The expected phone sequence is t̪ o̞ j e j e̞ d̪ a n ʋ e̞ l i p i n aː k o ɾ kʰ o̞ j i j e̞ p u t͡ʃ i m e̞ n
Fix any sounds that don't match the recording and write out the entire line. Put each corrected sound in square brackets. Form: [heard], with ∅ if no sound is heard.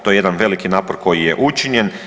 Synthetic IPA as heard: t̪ o̞ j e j e̞ d̪ a n ʋ e̞ l i [k] i n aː [p] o ɾ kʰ o̞ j i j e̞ [ʔ] u t͡ʃ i [ɲ] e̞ n